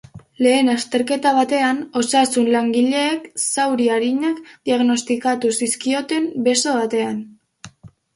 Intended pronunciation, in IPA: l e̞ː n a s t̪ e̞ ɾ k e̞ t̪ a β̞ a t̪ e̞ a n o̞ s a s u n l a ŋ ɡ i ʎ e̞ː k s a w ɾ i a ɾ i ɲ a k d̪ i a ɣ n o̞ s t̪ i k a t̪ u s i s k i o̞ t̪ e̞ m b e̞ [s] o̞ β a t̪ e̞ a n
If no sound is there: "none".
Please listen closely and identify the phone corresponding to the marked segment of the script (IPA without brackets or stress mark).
s